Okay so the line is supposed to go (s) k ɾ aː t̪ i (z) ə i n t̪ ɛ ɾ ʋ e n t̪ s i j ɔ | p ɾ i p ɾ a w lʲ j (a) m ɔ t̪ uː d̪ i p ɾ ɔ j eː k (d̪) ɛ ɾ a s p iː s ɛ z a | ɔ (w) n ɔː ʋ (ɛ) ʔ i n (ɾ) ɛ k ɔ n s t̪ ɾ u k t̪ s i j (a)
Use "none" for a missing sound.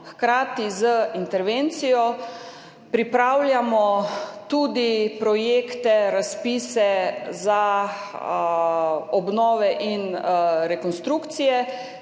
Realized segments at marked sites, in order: x, z, a, t̪, b, ɛ, ɾ, ɛ

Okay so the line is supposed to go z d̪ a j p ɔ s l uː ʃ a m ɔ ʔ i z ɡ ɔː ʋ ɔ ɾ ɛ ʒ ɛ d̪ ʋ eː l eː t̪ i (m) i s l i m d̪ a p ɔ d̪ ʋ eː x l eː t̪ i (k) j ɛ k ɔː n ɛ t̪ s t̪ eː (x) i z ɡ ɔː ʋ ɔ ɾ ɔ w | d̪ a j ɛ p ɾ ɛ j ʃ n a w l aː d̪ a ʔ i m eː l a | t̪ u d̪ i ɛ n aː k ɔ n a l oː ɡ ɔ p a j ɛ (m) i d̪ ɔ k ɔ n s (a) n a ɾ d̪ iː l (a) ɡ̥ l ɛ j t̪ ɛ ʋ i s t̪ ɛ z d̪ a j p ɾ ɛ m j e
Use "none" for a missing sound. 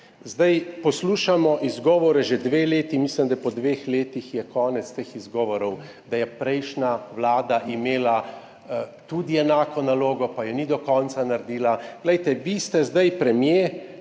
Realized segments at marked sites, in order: m, x, x, n, a, a

